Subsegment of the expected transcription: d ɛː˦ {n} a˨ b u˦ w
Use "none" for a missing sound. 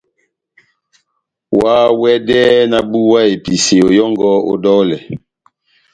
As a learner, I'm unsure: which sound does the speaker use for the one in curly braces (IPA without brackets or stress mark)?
n